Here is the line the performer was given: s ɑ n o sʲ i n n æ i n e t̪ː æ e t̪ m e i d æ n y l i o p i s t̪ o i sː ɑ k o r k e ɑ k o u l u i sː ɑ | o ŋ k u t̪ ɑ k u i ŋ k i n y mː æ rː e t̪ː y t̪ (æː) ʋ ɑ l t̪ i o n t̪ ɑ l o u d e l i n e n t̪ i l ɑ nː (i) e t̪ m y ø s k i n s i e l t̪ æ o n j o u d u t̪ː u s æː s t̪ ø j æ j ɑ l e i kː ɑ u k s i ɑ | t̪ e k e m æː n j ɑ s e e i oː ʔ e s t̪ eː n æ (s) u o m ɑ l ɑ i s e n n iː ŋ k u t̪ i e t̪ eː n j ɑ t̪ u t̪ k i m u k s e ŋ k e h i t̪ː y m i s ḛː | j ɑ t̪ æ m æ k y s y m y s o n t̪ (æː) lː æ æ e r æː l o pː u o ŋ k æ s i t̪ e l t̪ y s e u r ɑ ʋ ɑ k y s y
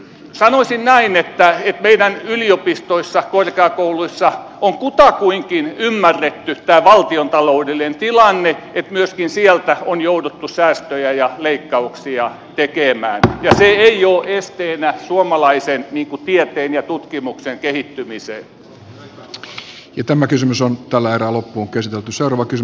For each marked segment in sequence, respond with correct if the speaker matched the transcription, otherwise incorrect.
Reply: correct, incorrect: e, correct, incorrect: æ

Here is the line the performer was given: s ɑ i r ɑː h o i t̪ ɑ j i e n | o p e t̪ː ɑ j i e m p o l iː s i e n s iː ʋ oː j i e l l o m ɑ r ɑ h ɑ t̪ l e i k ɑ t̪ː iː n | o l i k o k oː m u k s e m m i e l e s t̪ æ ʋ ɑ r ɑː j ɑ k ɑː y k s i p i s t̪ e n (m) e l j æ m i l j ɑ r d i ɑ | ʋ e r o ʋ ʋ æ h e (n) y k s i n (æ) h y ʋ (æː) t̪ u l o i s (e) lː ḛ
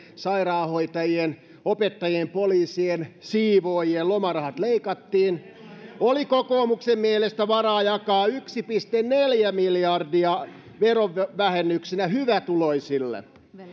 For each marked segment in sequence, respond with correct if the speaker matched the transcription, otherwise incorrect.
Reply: incorrect: n, incorrect: nː, correct, incorrect: æ, incorrect: i

